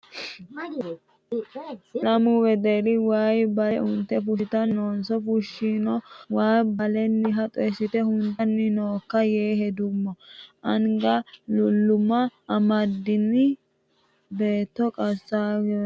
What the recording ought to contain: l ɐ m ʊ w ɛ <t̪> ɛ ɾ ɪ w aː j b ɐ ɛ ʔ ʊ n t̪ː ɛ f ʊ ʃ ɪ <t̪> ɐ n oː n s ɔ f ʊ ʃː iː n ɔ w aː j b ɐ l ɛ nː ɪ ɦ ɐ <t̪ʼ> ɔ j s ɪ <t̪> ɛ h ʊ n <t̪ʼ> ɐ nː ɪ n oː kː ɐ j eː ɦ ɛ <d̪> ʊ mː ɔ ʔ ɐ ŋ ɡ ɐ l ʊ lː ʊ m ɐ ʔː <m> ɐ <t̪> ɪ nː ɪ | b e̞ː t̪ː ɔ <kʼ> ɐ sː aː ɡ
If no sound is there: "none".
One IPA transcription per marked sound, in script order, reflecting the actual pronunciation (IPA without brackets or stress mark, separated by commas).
d̪, t̪, t̪ʼ, t̪, t̪, d̪, m, d̪, kʼ